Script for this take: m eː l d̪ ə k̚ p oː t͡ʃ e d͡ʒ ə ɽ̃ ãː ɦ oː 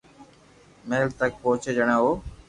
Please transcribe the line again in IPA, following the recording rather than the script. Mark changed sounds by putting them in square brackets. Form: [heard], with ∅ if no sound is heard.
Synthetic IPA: m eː l [t̪] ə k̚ p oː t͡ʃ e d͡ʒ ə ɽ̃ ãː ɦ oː